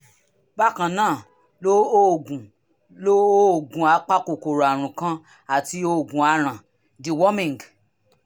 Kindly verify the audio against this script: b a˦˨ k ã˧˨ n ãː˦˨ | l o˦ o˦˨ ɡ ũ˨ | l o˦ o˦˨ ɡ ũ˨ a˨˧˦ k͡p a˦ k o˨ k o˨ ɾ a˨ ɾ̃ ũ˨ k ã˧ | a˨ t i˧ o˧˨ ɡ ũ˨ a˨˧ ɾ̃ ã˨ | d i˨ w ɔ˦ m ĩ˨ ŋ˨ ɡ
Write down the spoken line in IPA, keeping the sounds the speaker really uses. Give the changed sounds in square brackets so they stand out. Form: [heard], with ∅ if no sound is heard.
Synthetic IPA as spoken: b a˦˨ k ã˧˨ n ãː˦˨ | l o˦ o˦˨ ɡ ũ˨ | l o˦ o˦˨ ɡ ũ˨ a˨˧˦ k͡p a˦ k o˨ k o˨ ɾ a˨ ɾ̃ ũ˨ k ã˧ | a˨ t i˧ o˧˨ ɡ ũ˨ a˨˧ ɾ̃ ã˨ | d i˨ w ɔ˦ m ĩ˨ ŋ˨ ɡ